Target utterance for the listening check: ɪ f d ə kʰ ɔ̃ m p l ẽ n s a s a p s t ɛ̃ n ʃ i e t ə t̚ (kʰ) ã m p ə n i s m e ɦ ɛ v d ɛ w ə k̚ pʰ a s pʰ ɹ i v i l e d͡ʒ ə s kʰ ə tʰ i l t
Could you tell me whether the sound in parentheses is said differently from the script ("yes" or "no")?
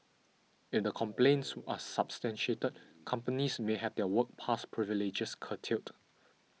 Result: no